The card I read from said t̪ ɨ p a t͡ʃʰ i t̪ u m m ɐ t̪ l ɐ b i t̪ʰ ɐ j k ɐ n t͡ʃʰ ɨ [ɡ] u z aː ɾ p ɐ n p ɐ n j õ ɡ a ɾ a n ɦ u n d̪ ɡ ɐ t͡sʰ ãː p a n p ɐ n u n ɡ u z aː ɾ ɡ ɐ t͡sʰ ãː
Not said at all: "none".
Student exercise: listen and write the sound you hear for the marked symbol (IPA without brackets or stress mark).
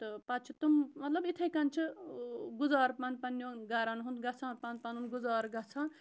ɡ